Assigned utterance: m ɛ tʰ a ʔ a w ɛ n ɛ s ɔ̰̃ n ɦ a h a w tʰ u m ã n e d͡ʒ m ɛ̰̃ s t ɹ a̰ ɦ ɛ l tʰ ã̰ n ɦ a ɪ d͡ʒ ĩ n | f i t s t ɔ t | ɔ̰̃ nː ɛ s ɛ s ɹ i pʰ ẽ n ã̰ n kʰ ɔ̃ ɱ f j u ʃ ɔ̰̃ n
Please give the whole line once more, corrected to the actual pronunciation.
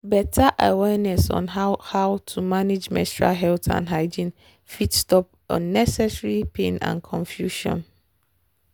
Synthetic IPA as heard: b ɛ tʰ a ʔ a w ɛ n ɛ s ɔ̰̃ n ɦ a h a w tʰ u m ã n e d͡ʒ m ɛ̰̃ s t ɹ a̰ ɦ ɛ l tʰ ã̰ n ɦ a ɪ d͡ʒ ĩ n | f i t s t ɔ p | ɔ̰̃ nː ɛ s ɛ s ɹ i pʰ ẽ n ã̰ n kʰ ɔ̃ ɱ f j u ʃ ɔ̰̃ n

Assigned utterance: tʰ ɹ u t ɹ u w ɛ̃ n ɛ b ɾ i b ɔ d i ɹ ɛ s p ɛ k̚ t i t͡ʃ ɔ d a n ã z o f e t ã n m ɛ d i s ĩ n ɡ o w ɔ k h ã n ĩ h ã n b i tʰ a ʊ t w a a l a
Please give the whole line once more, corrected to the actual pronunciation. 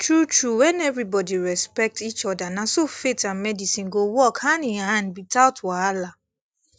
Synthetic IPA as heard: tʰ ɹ u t ɹ u w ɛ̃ n ɛ v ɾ i b ɔ d i ɹ ɛ s p ɛ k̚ t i t͡ʃ ɔ d a n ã s o f e t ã n m ɛ d i s ĩ n ɡ o w ɔ k h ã n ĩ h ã n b i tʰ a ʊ t w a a l a

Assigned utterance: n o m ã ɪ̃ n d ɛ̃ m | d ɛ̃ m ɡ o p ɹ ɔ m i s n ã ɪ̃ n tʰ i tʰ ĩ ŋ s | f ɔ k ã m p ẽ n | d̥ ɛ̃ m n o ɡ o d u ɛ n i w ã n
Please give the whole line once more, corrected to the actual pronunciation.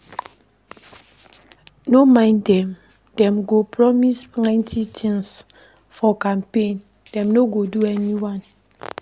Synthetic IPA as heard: n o m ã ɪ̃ n d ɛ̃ m | d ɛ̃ m ɡ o p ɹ ɔ m i s n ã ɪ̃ n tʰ i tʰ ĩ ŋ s | f ɔ k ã m p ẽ n | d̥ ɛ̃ m n o ɡ o d u ɛ n i w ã n

